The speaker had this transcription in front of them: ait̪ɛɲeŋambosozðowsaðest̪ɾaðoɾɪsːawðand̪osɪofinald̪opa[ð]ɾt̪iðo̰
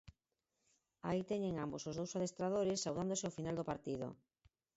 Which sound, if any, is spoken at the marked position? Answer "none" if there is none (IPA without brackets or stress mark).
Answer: none